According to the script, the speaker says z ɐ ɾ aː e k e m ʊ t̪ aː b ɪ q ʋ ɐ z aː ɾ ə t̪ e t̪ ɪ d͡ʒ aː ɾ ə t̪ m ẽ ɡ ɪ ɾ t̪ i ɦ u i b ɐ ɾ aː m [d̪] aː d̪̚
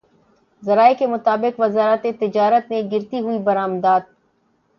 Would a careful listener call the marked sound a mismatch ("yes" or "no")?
no